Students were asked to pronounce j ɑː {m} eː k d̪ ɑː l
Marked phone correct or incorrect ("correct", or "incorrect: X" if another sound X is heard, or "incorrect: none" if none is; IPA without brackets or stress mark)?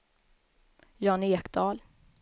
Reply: incorrect: n